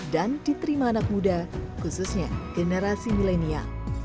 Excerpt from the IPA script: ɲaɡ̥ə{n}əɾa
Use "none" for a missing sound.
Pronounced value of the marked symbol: n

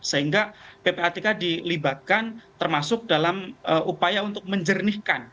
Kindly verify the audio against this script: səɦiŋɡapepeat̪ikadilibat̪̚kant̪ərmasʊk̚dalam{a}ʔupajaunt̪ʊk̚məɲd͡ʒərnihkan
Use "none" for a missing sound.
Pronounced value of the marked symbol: ə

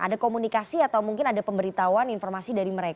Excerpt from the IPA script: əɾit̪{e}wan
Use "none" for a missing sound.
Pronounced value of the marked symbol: a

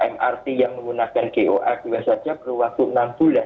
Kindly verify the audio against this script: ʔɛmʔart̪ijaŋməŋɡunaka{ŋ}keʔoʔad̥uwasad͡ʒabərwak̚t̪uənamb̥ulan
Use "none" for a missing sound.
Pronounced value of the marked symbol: n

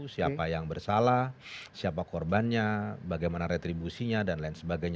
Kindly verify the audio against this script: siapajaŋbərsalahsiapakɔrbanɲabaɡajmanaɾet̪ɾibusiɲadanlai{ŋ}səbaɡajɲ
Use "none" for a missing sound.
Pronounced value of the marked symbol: n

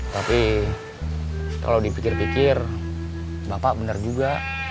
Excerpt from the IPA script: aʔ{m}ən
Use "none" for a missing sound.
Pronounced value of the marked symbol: b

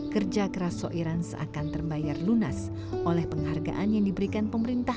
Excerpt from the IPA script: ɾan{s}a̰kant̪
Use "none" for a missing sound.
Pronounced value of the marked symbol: s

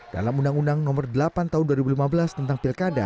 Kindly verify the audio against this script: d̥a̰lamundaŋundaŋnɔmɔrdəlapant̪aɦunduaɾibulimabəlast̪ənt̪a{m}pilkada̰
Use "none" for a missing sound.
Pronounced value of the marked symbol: ŋ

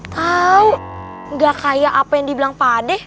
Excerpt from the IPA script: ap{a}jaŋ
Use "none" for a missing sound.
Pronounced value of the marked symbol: a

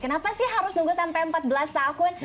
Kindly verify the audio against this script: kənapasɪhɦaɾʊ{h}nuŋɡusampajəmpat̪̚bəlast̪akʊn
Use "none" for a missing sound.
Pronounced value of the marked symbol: s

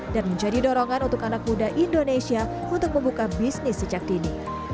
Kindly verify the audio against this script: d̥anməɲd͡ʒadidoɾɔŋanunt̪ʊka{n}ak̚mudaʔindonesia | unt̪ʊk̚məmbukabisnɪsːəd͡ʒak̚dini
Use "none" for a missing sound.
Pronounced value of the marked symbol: n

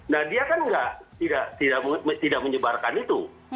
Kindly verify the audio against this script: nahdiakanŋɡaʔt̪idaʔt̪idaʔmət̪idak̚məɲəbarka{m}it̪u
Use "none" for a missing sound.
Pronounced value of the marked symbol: n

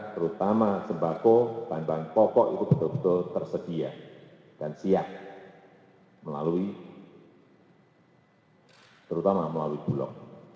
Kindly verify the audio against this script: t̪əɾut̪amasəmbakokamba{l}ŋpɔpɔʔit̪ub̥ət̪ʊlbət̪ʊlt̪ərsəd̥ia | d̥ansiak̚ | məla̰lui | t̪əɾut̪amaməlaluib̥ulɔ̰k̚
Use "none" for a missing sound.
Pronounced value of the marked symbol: none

